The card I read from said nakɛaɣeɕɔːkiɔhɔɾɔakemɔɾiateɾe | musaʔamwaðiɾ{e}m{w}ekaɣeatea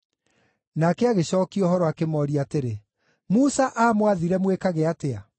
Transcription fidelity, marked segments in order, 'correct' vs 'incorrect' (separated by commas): incorrect, correct